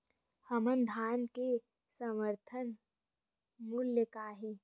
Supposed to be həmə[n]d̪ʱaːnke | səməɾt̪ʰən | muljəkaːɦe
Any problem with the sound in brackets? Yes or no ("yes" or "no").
no